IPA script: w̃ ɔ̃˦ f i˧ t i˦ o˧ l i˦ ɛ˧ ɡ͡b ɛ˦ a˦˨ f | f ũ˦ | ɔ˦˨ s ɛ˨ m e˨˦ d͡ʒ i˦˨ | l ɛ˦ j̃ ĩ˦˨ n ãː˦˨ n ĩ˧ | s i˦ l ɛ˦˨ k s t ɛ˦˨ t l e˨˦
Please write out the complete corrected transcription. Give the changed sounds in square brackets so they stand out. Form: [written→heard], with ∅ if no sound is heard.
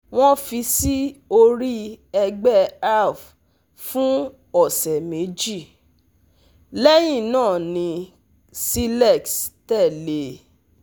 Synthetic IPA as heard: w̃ ɔ̃˦ f i˧ [t→s] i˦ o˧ [l→ɾ] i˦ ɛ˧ ɡ͡b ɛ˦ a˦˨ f | f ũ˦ | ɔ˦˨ s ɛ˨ m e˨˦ d͡ʒ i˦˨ | l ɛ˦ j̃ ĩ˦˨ n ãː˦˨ n ĩ˧ | s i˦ l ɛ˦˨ k s t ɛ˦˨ [t→∅] l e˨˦

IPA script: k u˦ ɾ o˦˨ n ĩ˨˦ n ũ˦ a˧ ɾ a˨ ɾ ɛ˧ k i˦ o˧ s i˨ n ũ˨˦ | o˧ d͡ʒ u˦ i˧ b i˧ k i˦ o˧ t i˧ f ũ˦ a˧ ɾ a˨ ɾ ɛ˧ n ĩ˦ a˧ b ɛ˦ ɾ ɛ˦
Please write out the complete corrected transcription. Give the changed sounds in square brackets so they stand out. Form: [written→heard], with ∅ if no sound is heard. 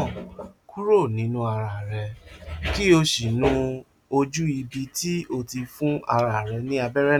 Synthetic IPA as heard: k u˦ ɾ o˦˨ n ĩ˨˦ n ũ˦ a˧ ɾ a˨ ɾ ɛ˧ k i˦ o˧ [s→ʃ] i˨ n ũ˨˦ | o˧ d͡ʒ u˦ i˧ b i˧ [k→t] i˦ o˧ t i˧ f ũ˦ a˧ ɾ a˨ ɾ ɛ˧ n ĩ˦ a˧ b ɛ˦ ɾ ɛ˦

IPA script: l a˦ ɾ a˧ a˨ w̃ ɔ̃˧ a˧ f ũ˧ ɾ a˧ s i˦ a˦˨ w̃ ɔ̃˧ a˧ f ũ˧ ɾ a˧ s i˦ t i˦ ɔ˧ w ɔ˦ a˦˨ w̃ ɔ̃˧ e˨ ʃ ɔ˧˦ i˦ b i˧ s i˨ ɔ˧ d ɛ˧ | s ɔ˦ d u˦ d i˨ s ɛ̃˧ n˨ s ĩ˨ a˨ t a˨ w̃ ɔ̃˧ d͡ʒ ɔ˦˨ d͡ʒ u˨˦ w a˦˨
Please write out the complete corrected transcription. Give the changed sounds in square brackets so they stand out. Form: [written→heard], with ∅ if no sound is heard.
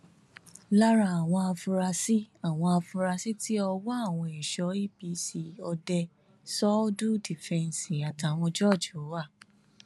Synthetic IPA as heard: l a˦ ɾ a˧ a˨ w̃ ɔ̃˧ a˧ f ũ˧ ɾ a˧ s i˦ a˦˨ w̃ ɔ̃˧ a˧ f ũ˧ ɾ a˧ s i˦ t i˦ ɔ˧ w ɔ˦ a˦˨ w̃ ɔ̃˧ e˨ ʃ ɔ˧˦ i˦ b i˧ s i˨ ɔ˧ d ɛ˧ | s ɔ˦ d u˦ d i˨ [s→f] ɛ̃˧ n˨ s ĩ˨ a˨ t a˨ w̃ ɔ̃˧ d͡ʒ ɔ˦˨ d͡ʒ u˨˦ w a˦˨

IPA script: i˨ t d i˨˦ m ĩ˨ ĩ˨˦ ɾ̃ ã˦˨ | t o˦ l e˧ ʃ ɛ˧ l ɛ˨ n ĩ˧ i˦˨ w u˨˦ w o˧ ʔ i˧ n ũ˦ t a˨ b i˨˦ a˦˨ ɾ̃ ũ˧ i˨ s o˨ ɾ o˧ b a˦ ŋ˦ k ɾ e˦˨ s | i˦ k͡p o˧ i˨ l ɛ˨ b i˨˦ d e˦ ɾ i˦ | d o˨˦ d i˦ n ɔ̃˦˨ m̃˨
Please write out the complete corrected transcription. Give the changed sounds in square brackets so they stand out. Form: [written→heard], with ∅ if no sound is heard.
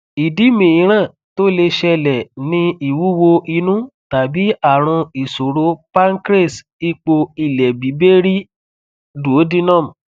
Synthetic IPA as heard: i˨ [t→∅] d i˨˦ m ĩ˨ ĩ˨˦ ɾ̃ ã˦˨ | t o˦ l e˧ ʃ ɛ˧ l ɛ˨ n ĩ˧ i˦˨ w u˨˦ w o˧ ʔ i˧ n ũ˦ t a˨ b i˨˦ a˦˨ ɾ̃ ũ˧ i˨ s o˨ ɾ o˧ [b→p] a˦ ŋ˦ k ɾ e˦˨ s | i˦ k͡p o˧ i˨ l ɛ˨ b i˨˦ [d→b] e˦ ɾ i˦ | d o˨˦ d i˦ n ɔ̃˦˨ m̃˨

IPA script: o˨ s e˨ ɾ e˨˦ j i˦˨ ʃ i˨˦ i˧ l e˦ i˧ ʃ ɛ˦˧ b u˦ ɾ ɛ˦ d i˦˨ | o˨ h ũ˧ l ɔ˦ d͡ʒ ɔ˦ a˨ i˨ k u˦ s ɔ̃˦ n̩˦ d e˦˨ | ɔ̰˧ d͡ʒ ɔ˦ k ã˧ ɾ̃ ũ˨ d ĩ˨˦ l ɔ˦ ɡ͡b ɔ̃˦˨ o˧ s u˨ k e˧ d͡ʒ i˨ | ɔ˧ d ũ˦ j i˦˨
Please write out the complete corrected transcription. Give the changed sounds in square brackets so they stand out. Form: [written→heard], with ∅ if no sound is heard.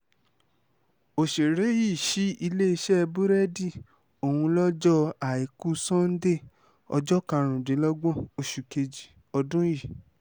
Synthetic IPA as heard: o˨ [s→ʃ] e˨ ɾ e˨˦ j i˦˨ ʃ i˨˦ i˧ l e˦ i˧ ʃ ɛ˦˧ b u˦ ɾ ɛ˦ d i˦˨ | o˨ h ũ˧ l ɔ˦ d͡ʒ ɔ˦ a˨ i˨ k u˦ s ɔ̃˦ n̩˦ d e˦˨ | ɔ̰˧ d͡ʒ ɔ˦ k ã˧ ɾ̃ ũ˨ d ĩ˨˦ l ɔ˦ ɡ͡b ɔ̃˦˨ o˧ [s→ʃ] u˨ k e˧ d͡ʒ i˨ | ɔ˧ d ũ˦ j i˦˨

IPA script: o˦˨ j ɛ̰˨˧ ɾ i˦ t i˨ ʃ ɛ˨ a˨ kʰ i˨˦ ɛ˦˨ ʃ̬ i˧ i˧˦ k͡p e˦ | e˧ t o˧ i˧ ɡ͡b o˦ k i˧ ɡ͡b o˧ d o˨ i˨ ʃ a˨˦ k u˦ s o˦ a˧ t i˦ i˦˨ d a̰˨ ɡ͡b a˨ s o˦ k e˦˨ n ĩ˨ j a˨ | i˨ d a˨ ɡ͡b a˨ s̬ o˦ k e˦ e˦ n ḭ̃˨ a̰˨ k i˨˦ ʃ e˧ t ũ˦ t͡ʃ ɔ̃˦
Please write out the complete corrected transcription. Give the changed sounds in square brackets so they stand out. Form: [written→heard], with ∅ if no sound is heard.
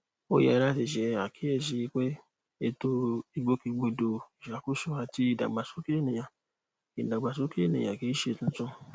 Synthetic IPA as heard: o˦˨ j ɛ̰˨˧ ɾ [i˦→a˦] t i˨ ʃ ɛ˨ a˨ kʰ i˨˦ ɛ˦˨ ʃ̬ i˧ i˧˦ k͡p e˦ | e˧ t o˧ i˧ ɡ͡b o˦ k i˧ ɡ͡b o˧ d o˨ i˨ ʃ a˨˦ k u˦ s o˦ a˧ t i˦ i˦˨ d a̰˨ ɡ͡b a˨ s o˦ k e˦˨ n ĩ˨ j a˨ | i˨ d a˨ ɡ͡b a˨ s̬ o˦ k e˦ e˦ n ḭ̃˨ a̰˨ k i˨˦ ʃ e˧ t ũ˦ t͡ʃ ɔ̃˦

